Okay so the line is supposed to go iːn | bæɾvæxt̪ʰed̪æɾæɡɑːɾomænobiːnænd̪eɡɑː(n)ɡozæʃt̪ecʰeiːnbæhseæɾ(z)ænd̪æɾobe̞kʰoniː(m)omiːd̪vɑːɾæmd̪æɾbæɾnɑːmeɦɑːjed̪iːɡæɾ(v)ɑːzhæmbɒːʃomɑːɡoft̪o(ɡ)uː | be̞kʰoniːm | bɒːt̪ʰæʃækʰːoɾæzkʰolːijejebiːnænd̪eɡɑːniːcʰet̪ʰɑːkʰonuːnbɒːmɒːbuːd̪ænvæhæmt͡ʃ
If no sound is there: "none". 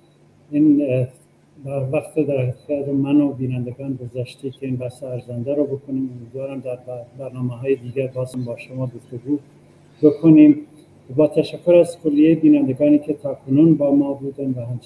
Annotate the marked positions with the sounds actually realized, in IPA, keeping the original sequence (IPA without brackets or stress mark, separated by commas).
n, z, m, b, ɡ